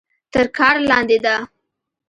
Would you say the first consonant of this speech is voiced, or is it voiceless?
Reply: voiceless